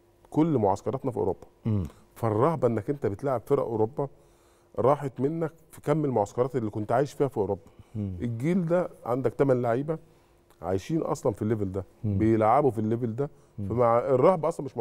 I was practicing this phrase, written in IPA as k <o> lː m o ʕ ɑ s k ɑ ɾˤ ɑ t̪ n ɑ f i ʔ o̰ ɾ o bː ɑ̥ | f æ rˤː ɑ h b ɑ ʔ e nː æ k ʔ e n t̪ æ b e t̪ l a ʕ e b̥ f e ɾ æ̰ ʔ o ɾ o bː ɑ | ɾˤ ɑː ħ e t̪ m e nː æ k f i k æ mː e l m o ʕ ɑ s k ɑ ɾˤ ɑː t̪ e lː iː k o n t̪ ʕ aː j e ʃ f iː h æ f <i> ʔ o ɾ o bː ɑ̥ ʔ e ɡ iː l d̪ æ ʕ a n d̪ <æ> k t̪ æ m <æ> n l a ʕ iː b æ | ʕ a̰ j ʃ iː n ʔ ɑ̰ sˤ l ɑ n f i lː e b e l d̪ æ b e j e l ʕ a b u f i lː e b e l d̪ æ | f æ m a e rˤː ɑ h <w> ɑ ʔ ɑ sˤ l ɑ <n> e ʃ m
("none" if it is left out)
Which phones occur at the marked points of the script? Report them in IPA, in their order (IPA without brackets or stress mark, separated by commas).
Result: o, i, æ, æ, b, m